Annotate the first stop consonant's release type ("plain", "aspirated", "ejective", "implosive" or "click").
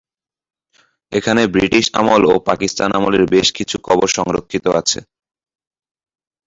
aspirated